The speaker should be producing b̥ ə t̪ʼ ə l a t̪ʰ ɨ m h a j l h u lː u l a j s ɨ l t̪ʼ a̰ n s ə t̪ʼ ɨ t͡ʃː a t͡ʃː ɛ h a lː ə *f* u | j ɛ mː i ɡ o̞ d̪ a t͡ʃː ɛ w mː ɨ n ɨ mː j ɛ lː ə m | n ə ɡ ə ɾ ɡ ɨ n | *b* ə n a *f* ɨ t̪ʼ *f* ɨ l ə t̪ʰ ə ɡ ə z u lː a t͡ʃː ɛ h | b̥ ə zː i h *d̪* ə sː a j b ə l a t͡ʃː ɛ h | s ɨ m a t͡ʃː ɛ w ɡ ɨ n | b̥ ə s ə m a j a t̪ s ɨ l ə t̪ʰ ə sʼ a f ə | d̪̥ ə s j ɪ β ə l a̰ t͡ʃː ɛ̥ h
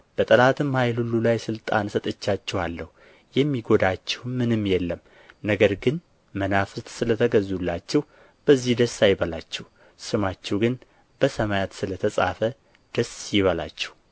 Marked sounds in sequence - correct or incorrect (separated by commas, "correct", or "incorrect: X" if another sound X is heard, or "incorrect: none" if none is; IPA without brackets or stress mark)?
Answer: incorrect: h, incorrect: m, correct, incorrect: s, correct